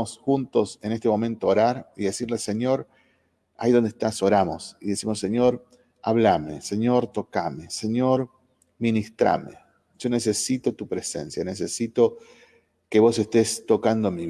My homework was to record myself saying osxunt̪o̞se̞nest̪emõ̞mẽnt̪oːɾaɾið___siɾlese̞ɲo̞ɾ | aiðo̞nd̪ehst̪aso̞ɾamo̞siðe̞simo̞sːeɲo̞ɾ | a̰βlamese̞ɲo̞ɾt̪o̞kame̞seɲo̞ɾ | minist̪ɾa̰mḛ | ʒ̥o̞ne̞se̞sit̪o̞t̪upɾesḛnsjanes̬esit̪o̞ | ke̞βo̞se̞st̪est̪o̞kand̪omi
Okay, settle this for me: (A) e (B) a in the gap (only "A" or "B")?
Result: A